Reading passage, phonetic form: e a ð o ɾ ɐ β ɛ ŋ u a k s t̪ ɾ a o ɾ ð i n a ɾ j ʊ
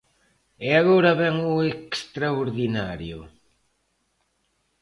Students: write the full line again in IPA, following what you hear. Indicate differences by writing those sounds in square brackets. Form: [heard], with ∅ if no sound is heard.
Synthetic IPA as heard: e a [ɣ] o ɾ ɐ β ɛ ŋ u [e] k s t̪ ɾ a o ɾ ð i n a ɾ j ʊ